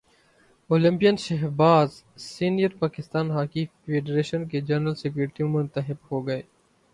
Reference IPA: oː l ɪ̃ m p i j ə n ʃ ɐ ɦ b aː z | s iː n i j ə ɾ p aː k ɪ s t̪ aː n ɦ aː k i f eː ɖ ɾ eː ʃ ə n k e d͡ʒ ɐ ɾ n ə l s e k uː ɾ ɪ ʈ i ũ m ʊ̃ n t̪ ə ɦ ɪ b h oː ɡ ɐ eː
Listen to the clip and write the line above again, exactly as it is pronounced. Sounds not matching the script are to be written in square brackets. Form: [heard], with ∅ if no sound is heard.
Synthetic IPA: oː l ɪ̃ m p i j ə n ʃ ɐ ɦ b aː z | s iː n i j ə ɾ p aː k ɪ s t̪ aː n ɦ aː k i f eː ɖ ɾ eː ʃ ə n k e d͡ʒ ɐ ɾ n ə l s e k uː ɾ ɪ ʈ i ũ m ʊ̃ n t̪ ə ɦ ɪ b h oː ɡ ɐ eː

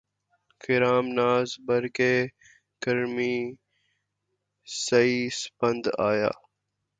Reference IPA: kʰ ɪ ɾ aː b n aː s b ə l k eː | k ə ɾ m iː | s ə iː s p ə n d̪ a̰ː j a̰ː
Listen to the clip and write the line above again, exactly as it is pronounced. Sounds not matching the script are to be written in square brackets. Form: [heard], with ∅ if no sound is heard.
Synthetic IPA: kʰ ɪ ɾ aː [m] n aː [z] b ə [ɾ] k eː | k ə ɾ m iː | s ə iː s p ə n d̪ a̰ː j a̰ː

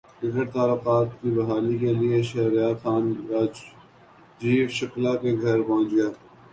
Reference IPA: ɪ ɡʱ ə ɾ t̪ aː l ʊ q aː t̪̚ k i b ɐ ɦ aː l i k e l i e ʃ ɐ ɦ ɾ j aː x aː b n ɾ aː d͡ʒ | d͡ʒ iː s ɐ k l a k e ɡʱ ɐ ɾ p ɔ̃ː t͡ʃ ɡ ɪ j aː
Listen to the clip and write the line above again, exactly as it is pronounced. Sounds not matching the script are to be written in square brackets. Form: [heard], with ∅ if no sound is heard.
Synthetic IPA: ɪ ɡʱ ə ɾ t̪ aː l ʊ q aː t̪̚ k i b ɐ ɦ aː l i k e l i e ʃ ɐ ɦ ɾ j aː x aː [∅] n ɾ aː d͡ʒ | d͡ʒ iː [ʃ] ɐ k l a k e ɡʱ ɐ ɾ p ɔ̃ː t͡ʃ ɡ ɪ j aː

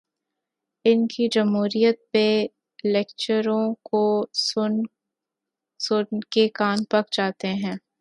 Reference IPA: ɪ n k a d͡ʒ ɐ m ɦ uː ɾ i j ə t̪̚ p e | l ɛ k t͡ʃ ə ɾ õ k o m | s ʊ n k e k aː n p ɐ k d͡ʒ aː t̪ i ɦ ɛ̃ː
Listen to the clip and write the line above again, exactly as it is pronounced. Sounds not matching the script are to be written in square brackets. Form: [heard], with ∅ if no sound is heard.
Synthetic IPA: ɪ n k [i] d͡ʒ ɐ m ɦ uː ɾ i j ə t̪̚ p e | l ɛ k t͡ʃ ə ɾ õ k o [∅] | s ʊ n k e k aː n p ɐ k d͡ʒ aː t̪ [e] ɦ ɛ̃ː

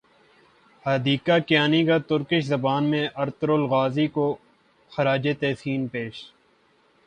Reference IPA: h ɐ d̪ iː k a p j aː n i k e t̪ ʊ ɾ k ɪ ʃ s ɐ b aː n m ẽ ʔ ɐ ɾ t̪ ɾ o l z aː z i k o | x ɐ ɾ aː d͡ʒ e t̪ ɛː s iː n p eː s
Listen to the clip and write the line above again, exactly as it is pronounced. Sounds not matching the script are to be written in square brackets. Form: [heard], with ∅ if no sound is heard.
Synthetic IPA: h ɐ d̪ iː k a [k] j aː n i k [a] t̪ ʊ ɾ k ɪ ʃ [z] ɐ b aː n m ẽ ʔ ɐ ɾ t̪ ɾ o l [ɣ] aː z i k o | x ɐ ɾ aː d͡ʒ e t̪ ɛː s iː n p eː [ʃ]

